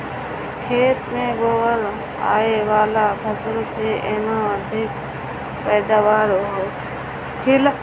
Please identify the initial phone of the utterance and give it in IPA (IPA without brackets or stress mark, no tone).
kʰ